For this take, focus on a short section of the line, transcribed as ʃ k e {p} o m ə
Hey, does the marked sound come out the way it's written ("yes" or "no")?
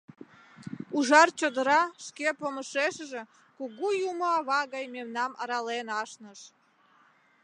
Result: yes